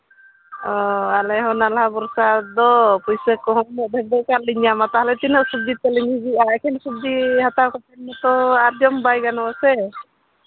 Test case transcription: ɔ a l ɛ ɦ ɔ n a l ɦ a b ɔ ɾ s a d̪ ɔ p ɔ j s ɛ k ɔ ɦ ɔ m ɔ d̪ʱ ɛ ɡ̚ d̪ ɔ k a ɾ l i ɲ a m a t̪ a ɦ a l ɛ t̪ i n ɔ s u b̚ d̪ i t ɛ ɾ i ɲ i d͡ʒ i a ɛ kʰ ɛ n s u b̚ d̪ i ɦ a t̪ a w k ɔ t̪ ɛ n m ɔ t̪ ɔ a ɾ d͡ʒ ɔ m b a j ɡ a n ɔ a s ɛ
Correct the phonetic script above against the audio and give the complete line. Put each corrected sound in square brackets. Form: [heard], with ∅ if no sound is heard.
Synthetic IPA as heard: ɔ a l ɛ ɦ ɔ n a l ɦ a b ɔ ɾ s a d̪ ɔ p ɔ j s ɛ k ɔ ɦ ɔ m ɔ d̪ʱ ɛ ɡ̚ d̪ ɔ k a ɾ l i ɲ a m a t̪ a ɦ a l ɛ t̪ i n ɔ s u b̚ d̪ i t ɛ [l] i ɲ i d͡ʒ i a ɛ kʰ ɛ n s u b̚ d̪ i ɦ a t̪ a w k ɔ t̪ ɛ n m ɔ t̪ ɔ a ɾ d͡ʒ ɔ m b a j ɡ a n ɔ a s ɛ

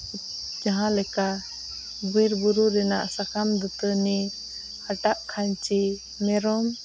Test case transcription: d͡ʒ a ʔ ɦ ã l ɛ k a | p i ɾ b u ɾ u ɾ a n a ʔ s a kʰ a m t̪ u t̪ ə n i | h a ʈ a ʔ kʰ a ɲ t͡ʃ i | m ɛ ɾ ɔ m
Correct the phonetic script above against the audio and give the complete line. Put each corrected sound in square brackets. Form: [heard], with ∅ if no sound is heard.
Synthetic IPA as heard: d͡ʒ a [∅] ɦ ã l ɛ k a | [b] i ɾ b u ɾ u ɾ [ɛ] n a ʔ s a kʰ a m [d̪] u t̪ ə n i | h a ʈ a ʔ kʰ a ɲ t͡ʃ i | m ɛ ɾ ɔ m

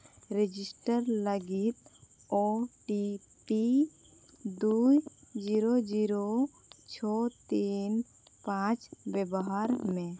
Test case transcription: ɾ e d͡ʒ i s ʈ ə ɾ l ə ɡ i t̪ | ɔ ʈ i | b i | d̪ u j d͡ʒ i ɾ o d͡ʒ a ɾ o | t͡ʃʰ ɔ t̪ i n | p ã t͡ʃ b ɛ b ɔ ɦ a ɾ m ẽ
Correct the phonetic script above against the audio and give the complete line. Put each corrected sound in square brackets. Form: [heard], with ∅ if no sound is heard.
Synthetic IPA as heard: ɾ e d͡ʒ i s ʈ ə ɾ l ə ɡ i t̪ | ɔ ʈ i | [p] i | d̪ u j d͡ʒ i ɾ o d͡ʒ [i] ɾ o | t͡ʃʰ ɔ t̪ i n | p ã t͡ʃ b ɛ b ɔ ɦ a ɾ m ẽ

